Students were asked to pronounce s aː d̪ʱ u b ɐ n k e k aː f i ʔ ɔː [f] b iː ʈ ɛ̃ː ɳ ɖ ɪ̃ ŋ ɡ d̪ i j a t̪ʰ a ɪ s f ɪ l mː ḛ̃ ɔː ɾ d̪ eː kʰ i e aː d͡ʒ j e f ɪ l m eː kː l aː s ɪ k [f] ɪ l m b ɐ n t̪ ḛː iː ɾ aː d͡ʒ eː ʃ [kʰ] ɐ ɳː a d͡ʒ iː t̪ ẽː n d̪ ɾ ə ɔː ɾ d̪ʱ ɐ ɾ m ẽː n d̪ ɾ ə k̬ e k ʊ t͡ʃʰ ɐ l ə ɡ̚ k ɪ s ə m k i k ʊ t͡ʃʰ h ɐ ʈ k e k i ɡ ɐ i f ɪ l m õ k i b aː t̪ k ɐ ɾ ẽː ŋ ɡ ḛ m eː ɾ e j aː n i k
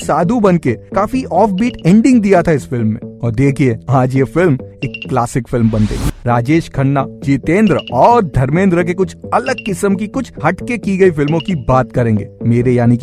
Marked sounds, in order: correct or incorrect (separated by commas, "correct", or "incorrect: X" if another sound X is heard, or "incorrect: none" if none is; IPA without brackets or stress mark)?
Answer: correct, correct, correct